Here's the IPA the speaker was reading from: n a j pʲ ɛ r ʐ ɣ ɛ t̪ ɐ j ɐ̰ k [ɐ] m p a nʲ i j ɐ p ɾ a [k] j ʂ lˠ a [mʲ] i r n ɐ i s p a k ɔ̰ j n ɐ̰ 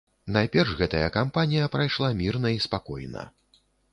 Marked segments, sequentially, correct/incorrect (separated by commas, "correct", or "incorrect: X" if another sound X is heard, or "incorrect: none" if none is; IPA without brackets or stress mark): incorrect: a, incorrect: none, correct